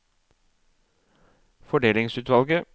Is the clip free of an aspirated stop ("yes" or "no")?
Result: yes